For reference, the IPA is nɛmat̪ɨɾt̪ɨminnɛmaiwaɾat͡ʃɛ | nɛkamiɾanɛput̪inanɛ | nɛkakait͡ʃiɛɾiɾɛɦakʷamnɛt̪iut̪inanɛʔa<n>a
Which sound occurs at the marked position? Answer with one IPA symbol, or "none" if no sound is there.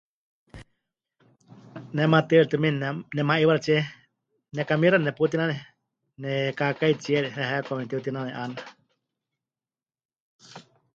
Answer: n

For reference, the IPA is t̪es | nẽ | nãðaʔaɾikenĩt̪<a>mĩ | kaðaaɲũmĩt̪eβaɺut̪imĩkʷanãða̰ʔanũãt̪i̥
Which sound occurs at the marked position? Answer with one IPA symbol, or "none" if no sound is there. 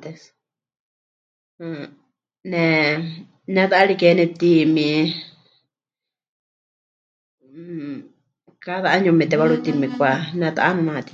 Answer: i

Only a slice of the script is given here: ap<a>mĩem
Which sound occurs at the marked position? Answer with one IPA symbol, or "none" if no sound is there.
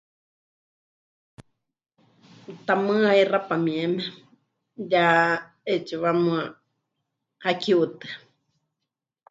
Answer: a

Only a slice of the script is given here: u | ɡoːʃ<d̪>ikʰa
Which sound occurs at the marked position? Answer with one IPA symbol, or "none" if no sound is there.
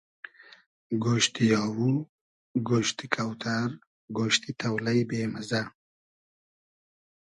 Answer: t̪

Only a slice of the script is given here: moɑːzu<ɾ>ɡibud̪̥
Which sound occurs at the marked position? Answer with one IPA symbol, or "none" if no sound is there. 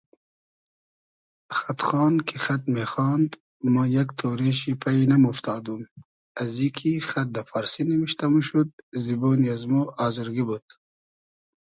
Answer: ɾ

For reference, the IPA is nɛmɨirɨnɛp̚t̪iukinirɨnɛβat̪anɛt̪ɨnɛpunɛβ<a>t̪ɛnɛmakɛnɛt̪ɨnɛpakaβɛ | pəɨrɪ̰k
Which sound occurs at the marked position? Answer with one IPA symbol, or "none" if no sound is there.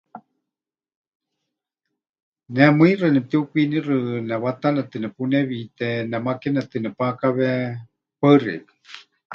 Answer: i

